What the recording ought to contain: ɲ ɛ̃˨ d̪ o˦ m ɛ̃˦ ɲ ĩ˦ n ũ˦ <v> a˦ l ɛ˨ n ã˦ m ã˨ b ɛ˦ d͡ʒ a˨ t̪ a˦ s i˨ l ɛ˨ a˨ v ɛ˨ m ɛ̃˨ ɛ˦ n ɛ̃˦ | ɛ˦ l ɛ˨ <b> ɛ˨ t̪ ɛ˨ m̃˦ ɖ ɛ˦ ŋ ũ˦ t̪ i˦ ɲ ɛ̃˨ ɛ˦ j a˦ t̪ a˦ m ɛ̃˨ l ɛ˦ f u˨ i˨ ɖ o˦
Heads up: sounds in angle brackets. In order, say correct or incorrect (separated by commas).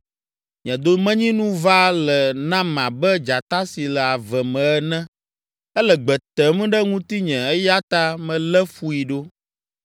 correct, incorrect